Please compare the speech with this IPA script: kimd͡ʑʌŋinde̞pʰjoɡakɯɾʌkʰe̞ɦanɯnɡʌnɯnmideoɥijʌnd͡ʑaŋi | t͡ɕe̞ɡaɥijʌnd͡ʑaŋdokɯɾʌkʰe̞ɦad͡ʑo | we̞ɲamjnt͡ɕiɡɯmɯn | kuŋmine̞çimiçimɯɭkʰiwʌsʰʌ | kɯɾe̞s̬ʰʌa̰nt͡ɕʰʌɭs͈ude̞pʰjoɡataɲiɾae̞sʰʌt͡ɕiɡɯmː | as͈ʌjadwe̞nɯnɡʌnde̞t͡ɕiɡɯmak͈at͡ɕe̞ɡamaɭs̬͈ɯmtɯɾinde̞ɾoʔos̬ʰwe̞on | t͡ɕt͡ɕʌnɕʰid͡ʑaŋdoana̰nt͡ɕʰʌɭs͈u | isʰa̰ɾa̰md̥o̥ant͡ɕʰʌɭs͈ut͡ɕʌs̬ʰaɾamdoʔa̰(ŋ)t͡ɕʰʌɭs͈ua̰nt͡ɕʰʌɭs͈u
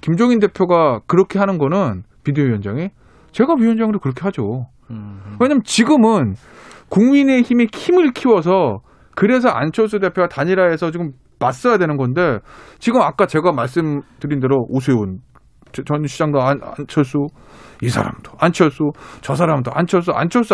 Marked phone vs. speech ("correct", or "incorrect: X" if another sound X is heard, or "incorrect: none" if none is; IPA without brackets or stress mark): incorrect: n